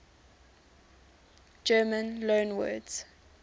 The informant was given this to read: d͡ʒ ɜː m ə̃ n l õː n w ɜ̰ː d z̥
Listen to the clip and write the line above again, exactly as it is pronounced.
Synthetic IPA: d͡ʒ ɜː m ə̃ n l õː n w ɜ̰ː d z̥